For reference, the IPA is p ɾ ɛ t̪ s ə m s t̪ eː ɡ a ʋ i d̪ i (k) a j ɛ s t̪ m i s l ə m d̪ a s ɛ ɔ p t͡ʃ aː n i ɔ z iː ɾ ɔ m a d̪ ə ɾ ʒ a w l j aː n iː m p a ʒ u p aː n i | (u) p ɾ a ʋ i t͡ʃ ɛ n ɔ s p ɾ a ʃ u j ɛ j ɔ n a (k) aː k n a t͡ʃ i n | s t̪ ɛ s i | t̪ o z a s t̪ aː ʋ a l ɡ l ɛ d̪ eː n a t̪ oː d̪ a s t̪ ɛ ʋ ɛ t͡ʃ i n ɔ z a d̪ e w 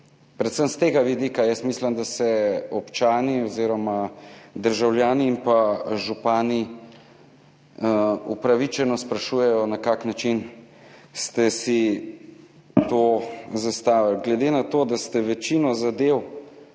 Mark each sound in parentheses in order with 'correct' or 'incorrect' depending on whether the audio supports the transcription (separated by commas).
correct, correct, correct